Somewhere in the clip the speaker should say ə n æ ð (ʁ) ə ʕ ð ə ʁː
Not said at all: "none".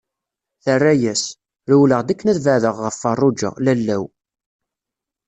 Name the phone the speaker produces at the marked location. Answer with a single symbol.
v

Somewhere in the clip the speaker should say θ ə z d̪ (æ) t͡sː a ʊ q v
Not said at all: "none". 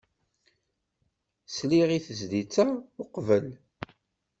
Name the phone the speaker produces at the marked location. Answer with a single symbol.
i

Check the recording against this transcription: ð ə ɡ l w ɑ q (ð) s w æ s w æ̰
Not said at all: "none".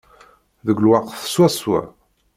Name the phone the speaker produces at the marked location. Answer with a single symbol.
θ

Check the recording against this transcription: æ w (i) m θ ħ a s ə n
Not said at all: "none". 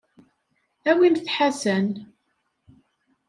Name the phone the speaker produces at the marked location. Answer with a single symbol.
i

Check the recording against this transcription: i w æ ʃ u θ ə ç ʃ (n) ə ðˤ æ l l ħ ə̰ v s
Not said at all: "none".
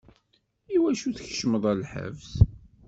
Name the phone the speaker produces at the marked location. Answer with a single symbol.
m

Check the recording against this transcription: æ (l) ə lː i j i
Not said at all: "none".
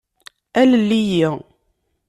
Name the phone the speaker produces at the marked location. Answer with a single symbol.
l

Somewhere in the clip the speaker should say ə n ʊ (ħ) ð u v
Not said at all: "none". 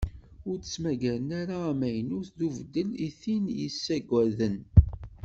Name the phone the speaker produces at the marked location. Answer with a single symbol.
θ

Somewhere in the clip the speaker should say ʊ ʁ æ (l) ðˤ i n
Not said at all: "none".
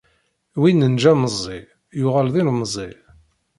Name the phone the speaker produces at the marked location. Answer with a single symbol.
l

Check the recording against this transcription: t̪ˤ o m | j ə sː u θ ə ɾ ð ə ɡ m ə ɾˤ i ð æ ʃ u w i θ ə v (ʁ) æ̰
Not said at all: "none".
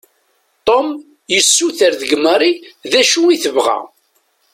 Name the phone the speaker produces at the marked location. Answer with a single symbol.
ʁ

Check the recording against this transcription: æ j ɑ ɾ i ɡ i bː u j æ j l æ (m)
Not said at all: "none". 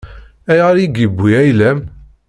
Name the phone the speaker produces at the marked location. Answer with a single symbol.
m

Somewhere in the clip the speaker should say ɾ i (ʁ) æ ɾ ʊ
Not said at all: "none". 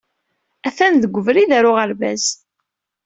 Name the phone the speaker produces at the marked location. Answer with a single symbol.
ð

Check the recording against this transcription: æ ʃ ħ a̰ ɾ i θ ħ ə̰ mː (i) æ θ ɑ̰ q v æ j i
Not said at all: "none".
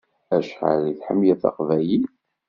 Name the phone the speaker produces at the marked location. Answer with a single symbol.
j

